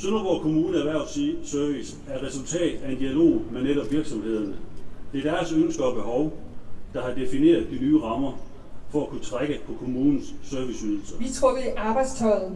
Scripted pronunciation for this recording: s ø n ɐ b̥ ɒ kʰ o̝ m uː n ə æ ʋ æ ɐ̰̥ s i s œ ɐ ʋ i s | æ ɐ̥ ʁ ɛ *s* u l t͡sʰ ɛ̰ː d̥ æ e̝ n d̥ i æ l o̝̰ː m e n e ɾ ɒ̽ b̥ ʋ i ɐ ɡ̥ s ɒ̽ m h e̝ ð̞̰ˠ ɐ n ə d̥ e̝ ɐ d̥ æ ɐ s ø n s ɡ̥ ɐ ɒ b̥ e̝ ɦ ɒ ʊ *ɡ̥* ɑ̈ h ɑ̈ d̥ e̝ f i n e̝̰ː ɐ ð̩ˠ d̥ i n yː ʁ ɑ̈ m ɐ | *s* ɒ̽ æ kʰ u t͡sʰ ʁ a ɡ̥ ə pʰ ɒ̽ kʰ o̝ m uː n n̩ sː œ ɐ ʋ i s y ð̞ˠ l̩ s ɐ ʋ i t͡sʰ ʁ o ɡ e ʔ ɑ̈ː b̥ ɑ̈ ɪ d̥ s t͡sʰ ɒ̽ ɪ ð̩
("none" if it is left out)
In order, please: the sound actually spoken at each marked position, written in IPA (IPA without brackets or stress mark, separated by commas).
s, d̥, f